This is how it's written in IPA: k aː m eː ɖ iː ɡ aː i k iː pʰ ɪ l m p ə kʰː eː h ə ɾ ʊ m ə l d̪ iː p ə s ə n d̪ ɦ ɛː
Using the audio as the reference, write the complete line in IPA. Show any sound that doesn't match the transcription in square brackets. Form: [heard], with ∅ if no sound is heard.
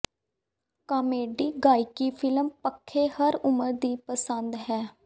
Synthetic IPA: k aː m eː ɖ iː ɡ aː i k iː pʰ ɪ l m p ə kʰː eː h ə ɾ ʊ m ə [ɾ] d̪ iː p ə s ə n d̪ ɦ ɛː

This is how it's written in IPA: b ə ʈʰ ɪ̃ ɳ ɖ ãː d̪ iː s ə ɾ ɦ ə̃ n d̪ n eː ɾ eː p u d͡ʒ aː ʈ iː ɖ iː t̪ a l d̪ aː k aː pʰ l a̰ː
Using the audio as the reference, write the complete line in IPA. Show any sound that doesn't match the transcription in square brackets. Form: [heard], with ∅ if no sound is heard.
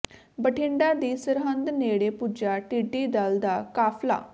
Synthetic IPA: b ə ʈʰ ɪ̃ ɳ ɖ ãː d̪ iː s ə ɾ ɦ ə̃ n d̪ n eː [ɽ] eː p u d͡ʒ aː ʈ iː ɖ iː [d̪] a l d̪ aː k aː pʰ l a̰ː

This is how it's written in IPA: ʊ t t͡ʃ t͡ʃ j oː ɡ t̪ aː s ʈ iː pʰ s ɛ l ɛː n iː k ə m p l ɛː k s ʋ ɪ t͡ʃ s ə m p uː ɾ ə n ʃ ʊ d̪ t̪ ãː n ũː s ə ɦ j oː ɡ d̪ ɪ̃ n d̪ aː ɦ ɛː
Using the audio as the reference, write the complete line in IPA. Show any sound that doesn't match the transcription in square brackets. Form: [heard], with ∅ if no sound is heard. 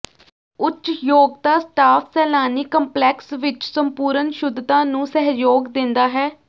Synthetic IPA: ʊ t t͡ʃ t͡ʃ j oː ɡ t̪ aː s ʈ [aː] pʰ s [ɛː] l [aː] n iː k ə m p l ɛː k s ʋ ɪ t͡ʃ s ə m p uː ɾ ə n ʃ ʊ d̪ t̪ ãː n ũː s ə ɦ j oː ɡ d̪ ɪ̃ n d̪ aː ɦ ɛː

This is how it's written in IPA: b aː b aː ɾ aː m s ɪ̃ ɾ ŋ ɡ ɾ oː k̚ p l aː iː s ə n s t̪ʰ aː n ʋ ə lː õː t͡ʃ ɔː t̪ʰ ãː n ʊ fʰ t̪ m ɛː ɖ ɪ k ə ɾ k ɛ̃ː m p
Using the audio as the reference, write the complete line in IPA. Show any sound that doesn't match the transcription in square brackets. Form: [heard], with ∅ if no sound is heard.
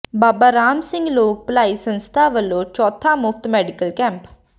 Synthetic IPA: b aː b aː ɾ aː m s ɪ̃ [∅] ŋ ɡ [l] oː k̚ p l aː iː s ə n s t̪ʰ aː [∅] ʋ ə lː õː t͡ʃ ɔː t̪ʰ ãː [m] ʊ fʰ t̪ m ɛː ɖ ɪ k ə [l] k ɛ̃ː m p

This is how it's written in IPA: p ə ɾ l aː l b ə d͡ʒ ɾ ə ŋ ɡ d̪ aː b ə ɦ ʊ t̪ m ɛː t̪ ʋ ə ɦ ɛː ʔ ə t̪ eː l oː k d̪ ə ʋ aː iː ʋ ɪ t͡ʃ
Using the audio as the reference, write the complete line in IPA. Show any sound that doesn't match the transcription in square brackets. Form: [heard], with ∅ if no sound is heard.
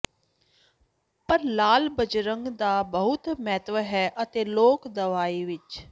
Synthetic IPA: p ə ɾ l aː l b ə d͡ʒ ɾ ə ŋ ɡ d̪ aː b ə ɦ ʊ t̪ m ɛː t̪ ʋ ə ɦ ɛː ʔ ə t̪ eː l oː k d̪ ə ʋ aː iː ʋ ɪ t͡ʃ

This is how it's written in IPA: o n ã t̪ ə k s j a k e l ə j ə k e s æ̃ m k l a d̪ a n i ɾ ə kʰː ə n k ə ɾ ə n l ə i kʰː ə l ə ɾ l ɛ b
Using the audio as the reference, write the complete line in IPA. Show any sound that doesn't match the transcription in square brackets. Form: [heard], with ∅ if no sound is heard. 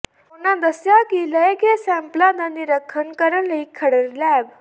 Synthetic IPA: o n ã [d̪] ə [∅] s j a k [i] l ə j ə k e s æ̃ m [p] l a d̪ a n i ɾ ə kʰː ə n k ə ɾ ə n l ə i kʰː ə [ɽ] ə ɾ l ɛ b

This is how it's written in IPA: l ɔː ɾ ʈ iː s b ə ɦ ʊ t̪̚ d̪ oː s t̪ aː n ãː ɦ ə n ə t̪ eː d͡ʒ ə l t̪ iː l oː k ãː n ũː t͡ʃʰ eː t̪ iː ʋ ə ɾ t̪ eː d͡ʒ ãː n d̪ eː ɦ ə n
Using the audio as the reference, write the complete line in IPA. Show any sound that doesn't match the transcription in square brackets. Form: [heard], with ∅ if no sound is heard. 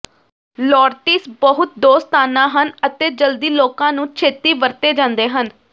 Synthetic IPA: l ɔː ɾ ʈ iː s b ə ɦ ʊ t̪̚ d̪ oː s t̪ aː n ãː ɦ ə n ə t̪ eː d͡ʒ ə l [d̪] iː l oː k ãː n ũː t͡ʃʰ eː t̪ iː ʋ ə ɾ t̪ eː d͡ʒ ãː n d̪ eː ɦ ə n

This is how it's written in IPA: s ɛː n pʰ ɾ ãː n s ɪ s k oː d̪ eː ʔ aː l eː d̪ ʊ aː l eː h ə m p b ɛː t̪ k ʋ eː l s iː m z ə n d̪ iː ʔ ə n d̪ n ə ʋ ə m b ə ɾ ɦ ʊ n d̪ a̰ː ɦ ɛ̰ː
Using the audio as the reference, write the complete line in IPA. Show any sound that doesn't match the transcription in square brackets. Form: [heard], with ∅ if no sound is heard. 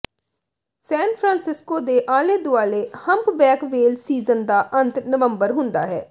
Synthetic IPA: s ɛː n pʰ ɾ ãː n s ɪ s k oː d̪ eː ʔ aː l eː d̪ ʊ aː l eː h ə m p b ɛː [∅] k ʋ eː l s iː [∅] z ə n d̪ [aː] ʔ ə n [t̪] n ə ʋ ə m b ə ɾ ɦ ʊ n d̪ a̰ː ɦ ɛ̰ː

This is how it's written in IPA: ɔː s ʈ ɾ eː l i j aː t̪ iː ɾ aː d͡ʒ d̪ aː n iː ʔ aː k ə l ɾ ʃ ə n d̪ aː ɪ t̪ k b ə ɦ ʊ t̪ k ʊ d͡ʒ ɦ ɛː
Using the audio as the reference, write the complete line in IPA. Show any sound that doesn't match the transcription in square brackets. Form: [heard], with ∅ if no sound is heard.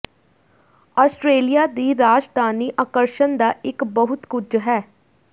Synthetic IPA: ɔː s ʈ ɾ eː l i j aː [d̪] iː ɾ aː d͡ʒ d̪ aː n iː ʔ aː k ə [∅] ɾ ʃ ə n d̪ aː ɪ [∅] k b ə ɦ ʊ t̪ k ʊ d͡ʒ ɦ ɛː

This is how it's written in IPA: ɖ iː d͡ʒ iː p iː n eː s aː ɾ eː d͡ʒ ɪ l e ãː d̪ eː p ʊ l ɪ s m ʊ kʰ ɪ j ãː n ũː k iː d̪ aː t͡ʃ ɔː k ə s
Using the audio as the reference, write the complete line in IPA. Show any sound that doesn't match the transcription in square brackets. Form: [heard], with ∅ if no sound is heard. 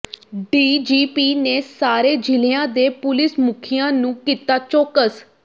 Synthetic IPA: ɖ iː d͡ʒ iː p iː n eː s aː ɾ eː d͡ʒ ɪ l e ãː d̪ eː p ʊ l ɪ s m ʊ kʰ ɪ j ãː n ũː k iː [t̪] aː t͡ʃ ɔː k ə s

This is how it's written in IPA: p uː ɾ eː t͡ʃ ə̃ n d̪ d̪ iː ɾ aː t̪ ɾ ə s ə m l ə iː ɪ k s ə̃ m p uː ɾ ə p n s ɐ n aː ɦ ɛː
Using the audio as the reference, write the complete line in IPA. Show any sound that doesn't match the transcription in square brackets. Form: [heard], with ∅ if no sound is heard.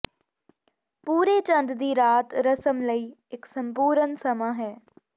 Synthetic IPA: p uː ɾ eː t͡ʃ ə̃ n d̪ d̪ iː ɾ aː t̪ ɾ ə s ə m l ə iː ɪ k s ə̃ m p uː ɾ ə [∅] n s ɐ [m] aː ɦ ɛː

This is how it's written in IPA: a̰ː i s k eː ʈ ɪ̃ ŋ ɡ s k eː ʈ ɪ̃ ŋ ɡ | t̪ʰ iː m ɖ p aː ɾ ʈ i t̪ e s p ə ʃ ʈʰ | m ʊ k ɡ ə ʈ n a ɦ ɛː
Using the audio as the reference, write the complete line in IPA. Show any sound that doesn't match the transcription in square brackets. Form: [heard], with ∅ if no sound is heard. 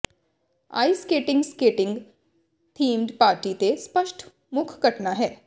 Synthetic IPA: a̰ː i s k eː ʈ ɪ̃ ŋ ɡ s k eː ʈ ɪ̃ ŋ ɡ | t̪ʰ iː m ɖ p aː ɾ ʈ i t̪ e s p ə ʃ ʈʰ | m ʊ [kʰ] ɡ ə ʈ n a ɦ ɛː

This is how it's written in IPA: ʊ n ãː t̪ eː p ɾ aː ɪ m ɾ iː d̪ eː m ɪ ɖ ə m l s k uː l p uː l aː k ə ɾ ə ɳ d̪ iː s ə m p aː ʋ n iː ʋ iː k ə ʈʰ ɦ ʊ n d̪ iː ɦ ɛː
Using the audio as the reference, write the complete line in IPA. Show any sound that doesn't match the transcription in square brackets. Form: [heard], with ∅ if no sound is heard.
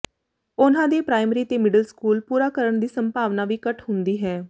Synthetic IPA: ʊ n ãː [d̪] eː p ɾ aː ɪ m ɾ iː [t̪] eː m ɪ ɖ ə [∅] l s k uː l p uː [ɾ] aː k ə ɾ ə ɳ d̪ iː s ə m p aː ʋ n [aː] ʋ iː k ə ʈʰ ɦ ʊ n d̪ iː ɦ ɛː

